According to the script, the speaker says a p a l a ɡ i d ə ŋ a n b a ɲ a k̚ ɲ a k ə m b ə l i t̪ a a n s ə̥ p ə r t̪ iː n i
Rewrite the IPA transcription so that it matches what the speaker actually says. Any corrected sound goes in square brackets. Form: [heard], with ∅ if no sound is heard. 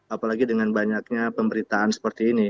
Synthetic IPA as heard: a p a l a ɡ i d ə ŋ a n b a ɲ a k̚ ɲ a [p] ə m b ə [ɾ] i t̪ a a n s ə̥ p ə r t̪ iː n i